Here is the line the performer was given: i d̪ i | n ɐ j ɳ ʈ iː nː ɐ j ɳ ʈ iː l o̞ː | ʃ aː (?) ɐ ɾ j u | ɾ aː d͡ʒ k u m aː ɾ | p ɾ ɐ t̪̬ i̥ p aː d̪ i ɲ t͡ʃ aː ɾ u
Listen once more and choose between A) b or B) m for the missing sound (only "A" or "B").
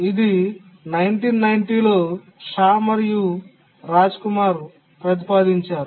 B